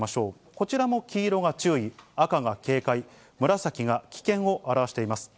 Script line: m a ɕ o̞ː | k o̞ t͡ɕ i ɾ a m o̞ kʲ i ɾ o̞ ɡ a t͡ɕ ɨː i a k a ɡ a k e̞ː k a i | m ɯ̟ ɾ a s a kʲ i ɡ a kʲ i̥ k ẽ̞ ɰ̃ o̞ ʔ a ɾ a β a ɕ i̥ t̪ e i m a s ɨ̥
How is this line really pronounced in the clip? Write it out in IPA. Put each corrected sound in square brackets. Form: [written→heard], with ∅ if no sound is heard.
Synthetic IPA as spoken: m a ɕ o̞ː | k o̞ t͡ɕ i ɾ a m o̞ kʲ [i→iː] ɾ o̞ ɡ a t͡ɕ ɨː i a k a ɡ a k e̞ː k a i | m ɯ̟ ɾ a s a kʲ i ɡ a kʲ i̥ k ẽ̞ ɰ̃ o̞ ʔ a ɾ a β a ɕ i̥ t̪ e i m a s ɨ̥